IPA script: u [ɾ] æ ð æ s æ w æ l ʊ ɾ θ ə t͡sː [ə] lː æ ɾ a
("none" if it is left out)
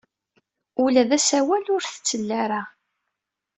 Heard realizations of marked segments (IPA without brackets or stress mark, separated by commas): l, ə